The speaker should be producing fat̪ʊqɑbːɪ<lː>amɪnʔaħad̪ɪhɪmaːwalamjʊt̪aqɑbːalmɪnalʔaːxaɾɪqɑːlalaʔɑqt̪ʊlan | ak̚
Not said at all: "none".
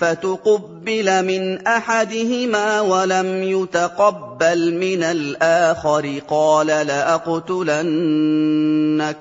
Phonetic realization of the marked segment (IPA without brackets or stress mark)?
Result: l